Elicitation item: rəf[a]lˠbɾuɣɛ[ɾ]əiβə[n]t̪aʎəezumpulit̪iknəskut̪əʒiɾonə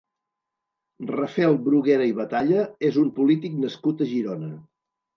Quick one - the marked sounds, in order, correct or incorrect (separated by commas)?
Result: incorrect, correct, incorrect